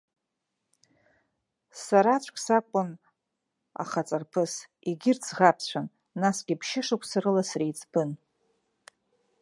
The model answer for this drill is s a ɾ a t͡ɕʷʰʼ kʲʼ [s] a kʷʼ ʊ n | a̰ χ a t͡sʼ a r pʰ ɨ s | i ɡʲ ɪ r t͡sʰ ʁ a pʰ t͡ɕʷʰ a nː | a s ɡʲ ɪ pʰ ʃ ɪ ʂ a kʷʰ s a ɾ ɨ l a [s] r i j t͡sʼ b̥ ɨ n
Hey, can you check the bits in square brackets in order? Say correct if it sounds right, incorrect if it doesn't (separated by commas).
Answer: correct, correct